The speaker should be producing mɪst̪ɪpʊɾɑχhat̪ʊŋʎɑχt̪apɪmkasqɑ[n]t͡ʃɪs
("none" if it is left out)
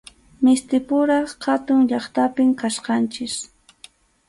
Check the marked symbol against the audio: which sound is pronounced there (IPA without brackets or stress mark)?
n